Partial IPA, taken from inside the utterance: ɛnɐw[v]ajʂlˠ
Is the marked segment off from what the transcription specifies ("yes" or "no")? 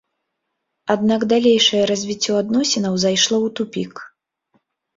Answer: yes